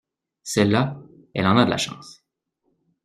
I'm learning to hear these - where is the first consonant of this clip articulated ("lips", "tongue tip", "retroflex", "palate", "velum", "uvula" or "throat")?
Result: tongue tip